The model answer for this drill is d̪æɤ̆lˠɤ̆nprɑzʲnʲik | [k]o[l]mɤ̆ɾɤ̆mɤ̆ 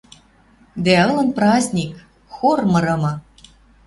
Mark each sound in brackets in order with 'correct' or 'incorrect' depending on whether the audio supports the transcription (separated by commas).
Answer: incorrect, incorrect